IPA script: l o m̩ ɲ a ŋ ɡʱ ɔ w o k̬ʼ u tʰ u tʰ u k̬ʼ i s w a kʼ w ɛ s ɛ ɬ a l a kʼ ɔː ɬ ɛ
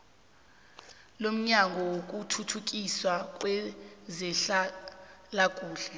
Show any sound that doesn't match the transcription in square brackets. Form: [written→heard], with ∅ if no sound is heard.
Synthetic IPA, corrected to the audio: l o m̩ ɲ a ŋ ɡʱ ɔ w o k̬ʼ u tʰ u tʰ u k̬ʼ i s w a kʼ w ɛ [s→z] ɛ ɬ a l a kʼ [ɔː→uː] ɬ ɛ